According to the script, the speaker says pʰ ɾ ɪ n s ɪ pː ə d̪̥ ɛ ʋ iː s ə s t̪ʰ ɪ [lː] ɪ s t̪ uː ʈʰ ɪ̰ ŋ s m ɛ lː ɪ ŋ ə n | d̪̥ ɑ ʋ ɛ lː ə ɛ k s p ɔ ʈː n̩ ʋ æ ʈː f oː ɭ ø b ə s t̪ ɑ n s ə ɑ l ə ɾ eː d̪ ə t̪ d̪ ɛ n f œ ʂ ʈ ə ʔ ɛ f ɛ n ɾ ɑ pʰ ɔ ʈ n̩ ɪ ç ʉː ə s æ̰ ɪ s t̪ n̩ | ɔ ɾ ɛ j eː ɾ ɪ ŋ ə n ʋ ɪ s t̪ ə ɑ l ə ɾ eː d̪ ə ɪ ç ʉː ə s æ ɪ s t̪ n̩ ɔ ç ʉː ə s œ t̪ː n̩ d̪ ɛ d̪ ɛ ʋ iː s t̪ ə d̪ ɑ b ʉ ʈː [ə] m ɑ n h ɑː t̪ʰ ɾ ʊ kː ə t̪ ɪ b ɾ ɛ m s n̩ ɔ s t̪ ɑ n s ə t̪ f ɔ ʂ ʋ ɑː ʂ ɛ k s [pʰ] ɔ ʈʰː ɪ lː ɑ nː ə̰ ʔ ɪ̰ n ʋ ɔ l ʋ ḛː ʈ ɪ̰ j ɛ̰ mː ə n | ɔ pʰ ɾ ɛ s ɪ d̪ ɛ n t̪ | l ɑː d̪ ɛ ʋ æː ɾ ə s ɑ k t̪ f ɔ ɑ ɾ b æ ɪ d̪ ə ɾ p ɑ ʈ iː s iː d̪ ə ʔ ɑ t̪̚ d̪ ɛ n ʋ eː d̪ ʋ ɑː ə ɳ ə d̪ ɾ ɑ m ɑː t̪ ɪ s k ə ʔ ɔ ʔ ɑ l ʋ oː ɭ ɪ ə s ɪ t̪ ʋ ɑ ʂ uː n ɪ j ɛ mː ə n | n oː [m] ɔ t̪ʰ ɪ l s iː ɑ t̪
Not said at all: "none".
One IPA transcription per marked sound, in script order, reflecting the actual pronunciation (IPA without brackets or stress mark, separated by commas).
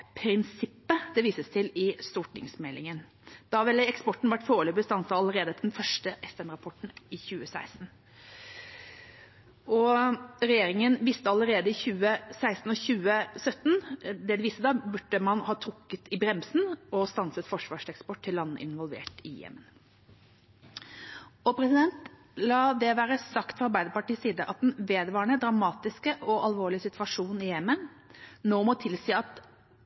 l, ə, p, m